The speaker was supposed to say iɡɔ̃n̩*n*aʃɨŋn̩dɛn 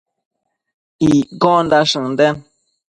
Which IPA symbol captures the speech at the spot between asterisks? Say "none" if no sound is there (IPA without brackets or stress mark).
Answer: d